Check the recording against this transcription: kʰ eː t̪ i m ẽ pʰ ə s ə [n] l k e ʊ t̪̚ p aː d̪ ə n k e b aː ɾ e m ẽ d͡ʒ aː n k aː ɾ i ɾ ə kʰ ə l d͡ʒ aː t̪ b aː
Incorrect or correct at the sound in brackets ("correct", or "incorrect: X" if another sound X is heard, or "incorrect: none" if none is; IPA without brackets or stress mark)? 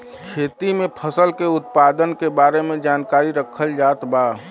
incorrect: none